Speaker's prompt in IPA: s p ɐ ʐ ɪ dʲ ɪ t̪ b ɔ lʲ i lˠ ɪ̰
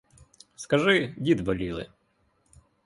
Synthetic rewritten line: s k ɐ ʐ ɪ dʲ i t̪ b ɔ lʲ i lˠ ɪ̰